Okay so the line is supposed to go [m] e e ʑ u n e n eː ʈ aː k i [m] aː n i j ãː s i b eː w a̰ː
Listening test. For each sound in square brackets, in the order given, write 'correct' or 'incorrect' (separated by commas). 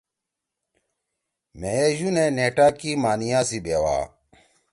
correct, correct